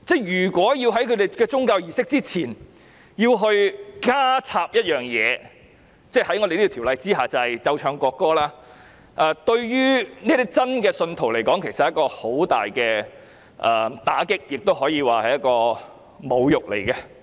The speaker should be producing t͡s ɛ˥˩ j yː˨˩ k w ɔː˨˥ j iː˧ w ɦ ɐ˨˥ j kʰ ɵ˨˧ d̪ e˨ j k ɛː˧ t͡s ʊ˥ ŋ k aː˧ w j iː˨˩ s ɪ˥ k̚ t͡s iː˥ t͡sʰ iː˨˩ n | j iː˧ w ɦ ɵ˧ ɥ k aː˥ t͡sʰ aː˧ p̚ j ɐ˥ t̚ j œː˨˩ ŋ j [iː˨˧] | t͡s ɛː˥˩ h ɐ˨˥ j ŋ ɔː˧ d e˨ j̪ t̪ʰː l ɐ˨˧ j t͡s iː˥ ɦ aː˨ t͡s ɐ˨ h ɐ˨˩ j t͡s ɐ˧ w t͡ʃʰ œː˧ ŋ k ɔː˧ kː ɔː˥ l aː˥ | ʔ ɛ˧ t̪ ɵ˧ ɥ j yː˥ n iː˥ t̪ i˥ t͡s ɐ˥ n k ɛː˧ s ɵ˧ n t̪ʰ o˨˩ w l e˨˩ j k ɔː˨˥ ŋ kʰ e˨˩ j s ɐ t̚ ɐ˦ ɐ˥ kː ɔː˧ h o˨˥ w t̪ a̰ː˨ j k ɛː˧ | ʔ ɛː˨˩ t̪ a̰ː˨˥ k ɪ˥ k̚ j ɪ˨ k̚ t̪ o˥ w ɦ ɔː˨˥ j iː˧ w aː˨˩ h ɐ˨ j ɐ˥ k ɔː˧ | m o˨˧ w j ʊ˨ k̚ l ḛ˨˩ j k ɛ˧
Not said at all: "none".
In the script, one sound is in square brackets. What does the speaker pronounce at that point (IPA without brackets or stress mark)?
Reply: ɛː˨˧